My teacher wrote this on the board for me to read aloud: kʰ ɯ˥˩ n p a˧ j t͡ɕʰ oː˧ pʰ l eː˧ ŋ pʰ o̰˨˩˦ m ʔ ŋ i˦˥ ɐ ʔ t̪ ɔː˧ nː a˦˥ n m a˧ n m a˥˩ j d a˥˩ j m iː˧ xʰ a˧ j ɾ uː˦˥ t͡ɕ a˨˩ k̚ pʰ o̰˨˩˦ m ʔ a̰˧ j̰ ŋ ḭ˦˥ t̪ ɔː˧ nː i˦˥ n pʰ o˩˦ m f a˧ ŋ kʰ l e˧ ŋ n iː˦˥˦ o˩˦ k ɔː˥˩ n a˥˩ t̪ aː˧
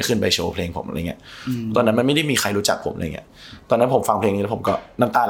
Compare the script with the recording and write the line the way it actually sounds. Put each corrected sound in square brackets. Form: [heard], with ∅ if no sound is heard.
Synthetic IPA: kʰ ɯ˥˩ n p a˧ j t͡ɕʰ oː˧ pʰ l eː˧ ŋ pʰ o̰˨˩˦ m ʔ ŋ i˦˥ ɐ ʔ t̪ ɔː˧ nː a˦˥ n m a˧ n m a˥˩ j d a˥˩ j m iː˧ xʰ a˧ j ɾ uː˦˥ t͡ɕ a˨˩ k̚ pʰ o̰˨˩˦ m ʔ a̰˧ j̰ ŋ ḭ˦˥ t̪ ɔː˧ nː [a˦˥] n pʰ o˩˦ m f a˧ ŋ [pʰ] l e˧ ŋ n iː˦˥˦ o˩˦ k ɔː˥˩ n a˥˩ t̪ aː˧